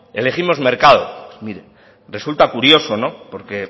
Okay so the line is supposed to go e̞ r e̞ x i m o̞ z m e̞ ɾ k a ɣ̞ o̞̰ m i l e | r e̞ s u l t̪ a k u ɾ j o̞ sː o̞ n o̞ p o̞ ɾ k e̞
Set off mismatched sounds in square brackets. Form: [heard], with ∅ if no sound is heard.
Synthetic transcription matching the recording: e̞ [l] e̞ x i m o̞ z m e̞ ɾ k a [ð̞] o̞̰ m i [ɾ] e | r e̞ s u l t̪ a k u ɾ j o̞ [s] o̞ n o̞ p o̞ ɾ k e̞